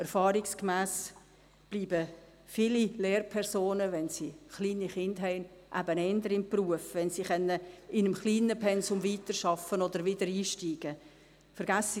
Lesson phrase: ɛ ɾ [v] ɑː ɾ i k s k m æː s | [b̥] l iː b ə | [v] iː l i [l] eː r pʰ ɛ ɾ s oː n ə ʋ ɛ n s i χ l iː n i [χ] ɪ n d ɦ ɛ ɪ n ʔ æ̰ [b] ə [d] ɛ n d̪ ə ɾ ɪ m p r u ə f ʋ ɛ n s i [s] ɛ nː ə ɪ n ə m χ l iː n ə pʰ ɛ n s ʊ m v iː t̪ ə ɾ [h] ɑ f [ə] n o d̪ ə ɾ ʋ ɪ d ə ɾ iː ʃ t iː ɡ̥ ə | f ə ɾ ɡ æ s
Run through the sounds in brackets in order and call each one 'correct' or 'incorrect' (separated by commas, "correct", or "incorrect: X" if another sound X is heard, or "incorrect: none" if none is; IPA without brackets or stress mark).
incorrect: f, correct, incorrect: f, correct, correct, correct, incorrect: n, incorrect: χ, incorrect: ʃ, correct